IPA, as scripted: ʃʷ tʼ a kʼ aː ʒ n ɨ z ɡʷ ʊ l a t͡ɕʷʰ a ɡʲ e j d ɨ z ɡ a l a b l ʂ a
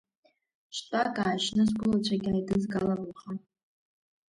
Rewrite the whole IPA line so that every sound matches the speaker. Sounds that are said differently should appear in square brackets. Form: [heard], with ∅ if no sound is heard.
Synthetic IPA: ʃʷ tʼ a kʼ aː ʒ n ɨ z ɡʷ ʊ l a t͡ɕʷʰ a ɡʲ [a] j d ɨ z ɡ a l a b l [χ] a